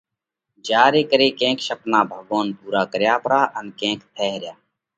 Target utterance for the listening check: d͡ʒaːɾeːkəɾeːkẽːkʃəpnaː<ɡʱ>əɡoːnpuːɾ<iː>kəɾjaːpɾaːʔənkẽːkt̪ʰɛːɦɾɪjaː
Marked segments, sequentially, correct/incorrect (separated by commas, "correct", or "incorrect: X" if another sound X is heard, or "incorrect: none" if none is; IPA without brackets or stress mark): incorrect: bʱ, incorrect: aː